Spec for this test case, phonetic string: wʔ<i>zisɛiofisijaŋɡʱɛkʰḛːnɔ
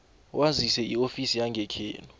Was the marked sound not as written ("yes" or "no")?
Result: yes